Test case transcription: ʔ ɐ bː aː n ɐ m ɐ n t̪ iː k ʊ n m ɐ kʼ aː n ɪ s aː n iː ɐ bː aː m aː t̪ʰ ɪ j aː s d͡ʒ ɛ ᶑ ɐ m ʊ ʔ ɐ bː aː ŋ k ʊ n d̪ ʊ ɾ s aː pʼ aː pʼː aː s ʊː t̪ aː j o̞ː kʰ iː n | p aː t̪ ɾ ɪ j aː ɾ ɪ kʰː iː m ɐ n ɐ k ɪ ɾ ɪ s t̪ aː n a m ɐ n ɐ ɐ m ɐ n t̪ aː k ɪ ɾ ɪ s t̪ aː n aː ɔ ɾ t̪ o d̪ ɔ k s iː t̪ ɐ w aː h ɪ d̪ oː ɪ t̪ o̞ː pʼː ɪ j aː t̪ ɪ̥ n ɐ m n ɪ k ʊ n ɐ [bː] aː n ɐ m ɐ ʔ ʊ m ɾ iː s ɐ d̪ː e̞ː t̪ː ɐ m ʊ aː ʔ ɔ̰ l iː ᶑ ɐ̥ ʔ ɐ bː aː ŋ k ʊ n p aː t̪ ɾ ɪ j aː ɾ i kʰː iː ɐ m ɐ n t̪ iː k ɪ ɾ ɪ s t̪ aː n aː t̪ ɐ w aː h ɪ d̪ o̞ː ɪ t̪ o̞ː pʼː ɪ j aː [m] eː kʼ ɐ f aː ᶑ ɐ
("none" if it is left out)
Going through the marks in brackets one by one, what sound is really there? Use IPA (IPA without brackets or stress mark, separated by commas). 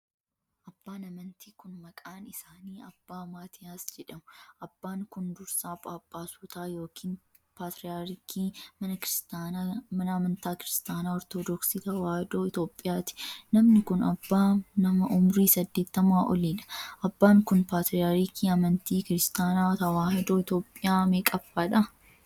bː, m